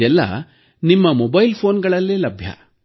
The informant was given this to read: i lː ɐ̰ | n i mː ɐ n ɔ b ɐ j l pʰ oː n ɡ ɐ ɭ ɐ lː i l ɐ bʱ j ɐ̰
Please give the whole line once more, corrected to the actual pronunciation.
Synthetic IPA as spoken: ɛ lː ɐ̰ | n i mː ɐ m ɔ b ɐ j l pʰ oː n ɡ ɐ ɭ ɐ lː i l ɐ bʱ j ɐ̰